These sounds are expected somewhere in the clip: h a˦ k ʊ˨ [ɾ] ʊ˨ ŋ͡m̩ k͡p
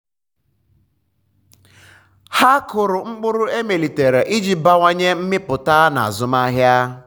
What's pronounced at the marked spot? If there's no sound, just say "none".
ɾ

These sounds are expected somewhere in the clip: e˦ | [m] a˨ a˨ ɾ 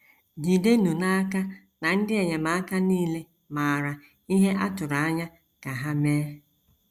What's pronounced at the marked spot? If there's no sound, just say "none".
m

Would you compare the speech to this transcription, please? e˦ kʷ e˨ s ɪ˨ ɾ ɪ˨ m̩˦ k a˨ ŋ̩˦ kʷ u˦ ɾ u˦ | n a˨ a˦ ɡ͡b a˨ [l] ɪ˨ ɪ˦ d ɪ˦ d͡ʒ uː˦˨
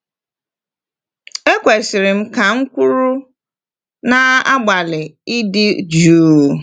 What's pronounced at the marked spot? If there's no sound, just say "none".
l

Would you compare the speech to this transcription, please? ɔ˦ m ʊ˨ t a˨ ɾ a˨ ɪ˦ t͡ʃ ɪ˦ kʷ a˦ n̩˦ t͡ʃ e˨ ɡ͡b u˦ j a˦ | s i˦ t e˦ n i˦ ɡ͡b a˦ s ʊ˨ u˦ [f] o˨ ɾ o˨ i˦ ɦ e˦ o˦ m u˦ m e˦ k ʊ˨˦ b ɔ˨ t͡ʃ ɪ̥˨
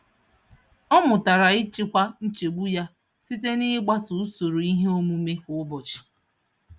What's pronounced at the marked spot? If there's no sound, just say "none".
s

